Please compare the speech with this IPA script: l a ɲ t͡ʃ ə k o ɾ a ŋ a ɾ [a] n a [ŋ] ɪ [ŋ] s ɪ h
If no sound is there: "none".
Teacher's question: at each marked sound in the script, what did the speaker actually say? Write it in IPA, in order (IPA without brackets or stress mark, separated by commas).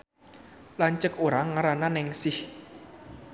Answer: a, n, ŋ